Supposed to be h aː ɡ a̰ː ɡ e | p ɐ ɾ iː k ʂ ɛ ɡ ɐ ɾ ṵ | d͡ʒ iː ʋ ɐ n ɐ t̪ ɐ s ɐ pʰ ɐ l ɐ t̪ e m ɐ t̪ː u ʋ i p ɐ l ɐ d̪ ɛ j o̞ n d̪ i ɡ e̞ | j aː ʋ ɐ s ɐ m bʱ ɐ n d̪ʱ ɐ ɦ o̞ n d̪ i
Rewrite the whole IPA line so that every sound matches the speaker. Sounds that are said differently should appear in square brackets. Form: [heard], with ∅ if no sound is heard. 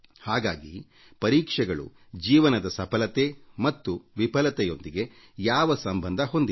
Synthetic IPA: h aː ɡ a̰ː ɡ [i] | p ɐ ɾ iː k ʂ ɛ ɡ ɐ [ɭ] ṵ | d͡ʒ iː ʋ ɐ n ɐ [d̪] ɐ s ɐ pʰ ɐ l ɐ t̪ e m ɐ t̪ː u ʋ i p ɐ l ɐ [t̪] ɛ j o̞ n d̪ i ɡ e̞ | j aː ʋ ɐ s ɐ m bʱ ɐ n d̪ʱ ɐ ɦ o̞ n d̪ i

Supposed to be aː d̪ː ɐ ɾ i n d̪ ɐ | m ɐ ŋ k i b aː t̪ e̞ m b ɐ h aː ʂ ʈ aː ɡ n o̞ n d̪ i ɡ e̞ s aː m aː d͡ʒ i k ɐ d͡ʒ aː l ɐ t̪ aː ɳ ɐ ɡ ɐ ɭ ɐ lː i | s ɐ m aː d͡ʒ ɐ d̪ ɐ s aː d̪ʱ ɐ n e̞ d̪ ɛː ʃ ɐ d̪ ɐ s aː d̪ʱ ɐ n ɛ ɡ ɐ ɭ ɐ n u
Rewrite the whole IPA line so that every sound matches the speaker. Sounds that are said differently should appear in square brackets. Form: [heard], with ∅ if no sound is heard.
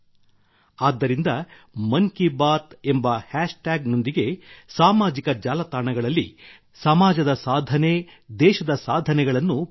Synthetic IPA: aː d̪ː ɐ ɾ i n d̪ ɐ | m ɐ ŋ k i b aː t̪ e̞ m b ɐ h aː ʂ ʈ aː ɡ n o̞ n d̪ i ɡ e̞ s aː m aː d͡ʒ i k ɐ d͡ʒ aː l ɐ t̪ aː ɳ ɐ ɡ ɐ ɭ ɐ lː i | s ɐ m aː d͡ʒ ɐ d̪ ɐ s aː d̪ʱ ɐ n e̞ d̪ ɛː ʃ ɐ d̪ ɐ s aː d̪ʱ ɐ n ɛ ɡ ɐ ɭ ɐ [nː] u

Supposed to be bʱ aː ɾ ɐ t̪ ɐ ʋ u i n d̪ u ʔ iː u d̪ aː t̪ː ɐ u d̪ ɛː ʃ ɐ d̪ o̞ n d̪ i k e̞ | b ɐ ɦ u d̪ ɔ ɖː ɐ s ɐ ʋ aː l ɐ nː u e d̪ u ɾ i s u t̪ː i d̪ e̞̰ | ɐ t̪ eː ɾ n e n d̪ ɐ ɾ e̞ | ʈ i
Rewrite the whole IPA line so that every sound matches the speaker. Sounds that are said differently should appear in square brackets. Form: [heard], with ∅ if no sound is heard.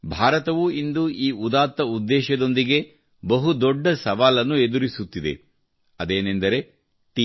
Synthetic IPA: bʱ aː ɾ ɐ t̪ ɐ ʋ u i n d̪ u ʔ iː u d̪ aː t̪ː ɐ u [d̪ː] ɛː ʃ ɐ d̪ o̞ n d̪ i [ɡ] e̞ | b ɐ ɦ u d̪ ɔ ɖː ɐ s ɐ ʋ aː l ɐ nː u e d̪ u ɾ i s u t̪ː i d̪ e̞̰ | ɐ [d̪] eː [∅] n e n d̪ ɐ ɾ e̞ | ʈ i

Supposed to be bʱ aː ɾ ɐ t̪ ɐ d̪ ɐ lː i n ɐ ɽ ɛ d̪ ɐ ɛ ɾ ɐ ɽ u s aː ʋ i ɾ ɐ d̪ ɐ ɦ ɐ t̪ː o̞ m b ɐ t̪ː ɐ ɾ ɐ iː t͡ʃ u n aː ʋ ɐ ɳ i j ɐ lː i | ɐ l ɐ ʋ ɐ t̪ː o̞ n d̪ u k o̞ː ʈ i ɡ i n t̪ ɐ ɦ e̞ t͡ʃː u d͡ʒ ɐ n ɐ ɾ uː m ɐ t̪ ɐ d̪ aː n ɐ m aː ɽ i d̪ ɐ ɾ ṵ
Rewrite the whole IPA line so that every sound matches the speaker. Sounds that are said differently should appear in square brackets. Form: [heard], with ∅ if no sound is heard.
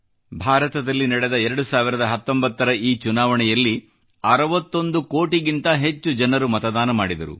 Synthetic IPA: bʱ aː ɾ ɐ t̪ ɐ d̪ ɐ lː i n ɐ ɽ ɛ d̪ ɐ ɛ ɾ ɐ ɽ u s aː ʋ i ɾ ɐ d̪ ɐ ɦ ɐ t̪ː o̞ m b ɐ t̪ː ɐ ɾ ɐ iː t͡ʃ u n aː ʋ ɐ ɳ [ɛ] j ɐ lː i | ɐ [ɾ] ɐ ʋ ɐ t̪ː o̞ n d̪ u k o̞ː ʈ i ɡ i n t̪ ɐ ɦ e̞ t͡ʃː u d͡ʒ ɐ n ɐ ɾ [u] m ɐ t̪ ɐ d̪ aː n ɐ m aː ɽ i d̪ ɐ ɾ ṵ

